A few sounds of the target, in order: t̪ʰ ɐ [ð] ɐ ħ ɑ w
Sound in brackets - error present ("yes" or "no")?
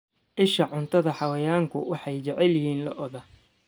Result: no